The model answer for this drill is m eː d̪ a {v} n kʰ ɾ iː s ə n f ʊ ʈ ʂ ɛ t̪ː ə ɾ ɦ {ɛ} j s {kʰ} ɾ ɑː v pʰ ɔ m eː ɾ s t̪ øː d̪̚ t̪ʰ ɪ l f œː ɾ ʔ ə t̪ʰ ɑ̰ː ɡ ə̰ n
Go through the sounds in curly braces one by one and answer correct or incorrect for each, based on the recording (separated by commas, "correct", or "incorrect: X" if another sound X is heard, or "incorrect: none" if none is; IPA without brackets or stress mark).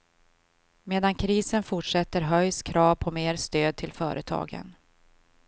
incorrect: none, incorrect: œ, correct